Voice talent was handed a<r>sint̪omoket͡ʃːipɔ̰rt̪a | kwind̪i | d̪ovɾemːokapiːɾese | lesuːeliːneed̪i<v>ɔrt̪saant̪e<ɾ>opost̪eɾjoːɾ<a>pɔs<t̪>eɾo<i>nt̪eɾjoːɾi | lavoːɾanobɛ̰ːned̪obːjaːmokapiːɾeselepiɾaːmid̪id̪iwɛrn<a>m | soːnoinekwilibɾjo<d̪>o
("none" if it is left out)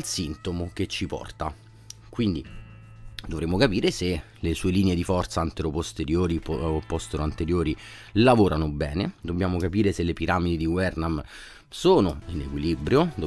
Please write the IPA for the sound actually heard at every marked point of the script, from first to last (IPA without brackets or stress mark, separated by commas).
l, f, ɾ, i, t̪, a, a, d̪